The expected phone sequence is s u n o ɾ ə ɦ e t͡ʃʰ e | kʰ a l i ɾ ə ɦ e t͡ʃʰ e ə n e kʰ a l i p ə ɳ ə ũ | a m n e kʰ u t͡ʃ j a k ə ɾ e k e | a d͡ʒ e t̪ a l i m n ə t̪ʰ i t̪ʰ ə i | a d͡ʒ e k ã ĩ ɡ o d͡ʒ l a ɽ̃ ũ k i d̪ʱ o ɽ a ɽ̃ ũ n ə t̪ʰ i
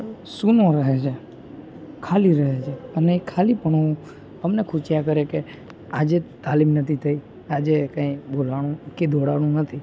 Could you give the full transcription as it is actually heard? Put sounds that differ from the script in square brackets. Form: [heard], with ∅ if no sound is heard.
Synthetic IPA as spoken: s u n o ɾ ə ɦ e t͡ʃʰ e | kʰ a l i ɾ ə ɦ e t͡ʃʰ e ə n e kʰ a l i p ə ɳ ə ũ | [ə] m n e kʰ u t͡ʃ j a k ə ɾ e k e | a d͡ʒ e t̪ a l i m n ə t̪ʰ i t̪ʰ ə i | a d͡ʒ e k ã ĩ [b] o [∅] l a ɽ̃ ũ k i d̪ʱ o ɽ a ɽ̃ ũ n ə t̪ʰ i